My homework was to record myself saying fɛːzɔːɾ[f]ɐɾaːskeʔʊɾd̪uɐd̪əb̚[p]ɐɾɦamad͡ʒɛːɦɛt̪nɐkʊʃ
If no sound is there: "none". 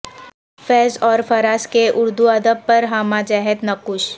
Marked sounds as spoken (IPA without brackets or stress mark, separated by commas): f, p